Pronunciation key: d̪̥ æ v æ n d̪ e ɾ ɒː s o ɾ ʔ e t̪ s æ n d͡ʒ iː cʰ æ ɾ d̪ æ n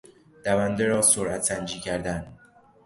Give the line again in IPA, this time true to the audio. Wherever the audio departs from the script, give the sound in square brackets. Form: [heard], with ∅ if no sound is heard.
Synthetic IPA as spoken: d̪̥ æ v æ n d̪ e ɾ ɒː s o ɾ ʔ [æ] t̪ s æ n d͡ʒ iː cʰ æ ɾ d̪ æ n